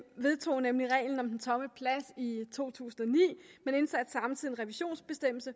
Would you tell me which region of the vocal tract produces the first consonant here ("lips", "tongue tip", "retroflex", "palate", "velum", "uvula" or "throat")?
lips